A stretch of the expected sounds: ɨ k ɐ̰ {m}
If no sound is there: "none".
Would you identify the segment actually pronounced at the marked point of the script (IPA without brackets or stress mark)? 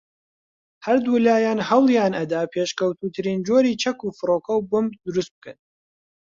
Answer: n